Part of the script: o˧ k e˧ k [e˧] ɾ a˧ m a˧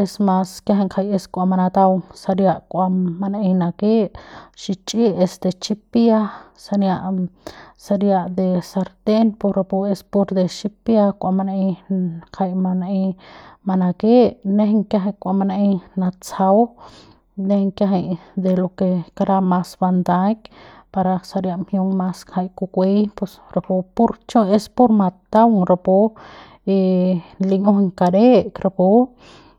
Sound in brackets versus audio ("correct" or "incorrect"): incorrect